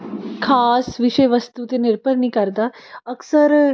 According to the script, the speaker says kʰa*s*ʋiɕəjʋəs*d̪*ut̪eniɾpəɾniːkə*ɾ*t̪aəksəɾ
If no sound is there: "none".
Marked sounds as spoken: s, t̪, ɾ

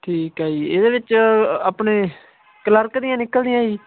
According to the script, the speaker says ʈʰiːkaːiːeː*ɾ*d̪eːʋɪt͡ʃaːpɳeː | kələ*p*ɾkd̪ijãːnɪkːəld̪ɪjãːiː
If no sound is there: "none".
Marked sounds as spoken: none, none

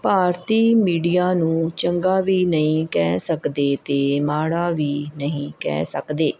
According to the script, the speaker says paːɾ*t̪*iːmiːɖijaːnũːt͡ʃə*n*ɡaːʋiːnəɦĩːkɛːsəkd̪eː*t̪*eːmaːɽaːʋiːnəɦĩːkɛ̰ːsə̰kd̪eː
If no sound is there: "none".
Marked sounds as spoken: t̪, ŋ, t̪

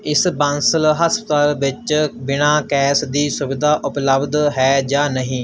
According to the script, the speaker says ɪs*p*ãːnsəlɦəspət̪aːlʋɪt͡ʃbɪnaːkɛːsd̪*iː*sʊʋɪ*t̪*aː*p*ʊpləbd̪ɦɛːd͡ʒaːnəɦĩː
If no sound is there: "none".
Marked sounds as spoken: b, iː, d̪, ʔ

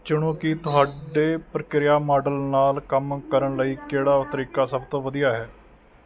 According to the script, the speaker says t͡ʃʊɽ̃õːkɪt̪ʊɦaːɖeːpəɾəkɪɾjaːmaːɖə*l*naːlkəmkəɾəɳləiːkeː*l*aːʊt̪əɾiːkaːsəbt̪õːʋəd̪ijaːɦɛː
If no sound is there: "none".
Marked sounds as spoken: l, ɽ

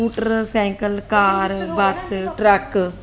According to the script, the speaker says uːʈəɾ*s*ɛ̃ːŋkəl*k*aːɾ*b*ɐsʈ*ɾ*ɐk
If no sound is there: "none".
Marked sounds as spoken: s, k, b, ɾ

